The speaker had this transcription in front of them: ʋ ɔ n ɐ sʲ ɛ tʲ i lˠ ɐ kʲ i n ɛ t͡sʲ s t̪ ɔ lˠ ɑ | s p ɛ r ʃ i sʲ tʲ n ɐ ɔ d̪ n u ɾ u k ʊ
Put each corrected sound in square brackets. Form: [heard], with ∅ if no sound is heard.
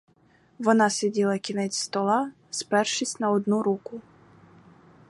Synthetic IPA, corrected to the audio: ʋ ɔ n [ɑ] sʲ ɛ [dʲ] i lˠ ɐ kʲ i n ɛ t͡sʲ s t̪ ɔ lˠ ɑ | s p ɛ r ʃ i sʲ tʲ n ɐ ɔ d̪ n u ɾ u k ʊ